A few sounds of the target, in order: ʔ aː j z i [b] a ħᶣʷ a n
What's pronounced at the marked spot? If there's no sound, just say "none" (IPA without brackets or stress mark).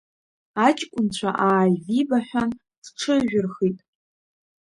b